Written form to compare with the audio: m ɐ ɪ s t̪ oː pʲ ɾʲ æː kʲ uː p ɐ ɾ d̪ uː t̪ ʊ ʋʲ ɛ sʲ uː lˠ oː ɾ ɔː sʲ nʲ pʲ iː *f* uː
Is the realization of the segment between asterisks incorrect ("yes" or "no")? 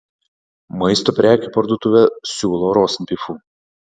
no